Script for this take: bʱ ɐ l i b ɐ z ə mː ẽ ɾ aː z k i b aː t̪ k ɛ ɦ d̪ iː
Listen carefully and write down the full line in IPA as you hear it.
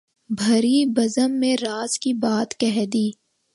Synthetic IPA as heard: bʱ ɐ ɾ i b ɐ z ə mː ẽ ɾ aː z k i b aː t̪ k ɛ ɦ d̪ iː